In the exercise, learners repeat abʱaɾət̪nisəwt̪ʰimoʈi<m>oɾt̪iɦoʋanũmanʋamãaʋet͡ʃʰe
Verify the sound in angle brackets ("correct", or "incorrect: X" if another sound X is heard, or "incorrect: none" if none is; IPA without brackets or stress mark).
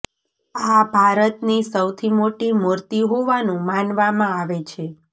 correct